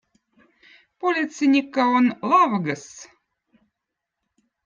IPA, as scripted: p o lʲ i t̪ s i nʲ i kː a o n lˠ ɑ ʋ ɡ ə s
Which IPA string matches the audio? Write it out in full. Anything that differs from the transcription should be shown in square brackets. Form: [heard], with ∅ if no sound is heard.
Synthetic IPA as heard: p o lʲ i t̪ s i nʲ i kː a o n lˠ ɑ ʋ ɡ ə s